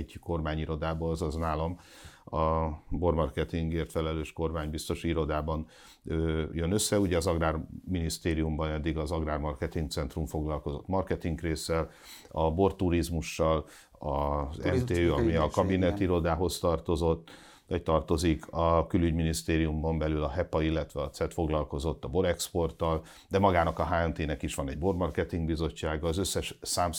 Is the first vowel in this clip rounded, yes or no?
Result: yes